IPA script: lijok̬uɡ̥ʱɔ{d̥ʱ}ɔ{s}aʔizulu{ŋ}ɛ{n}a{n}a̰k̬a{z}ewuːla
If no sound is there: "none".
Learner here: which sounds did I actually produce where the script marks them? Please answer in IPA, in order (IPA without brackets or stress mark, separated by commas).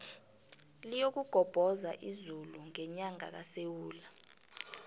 b̥ʱ, z, ŋ, ɲ, ŋ, s